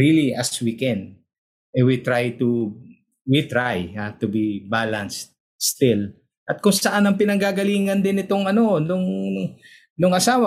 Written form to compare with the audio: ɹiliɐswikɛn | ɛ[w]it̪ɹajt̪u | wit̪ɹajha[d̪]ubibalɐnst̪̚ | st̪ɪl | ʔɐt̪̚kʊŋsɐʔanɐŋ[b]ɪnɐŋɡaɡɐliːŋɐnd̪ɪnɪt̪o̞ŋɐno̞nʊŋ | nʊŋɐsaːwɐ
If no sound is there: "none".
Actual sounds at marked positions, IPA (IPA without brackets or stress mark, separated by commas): w, t̪, p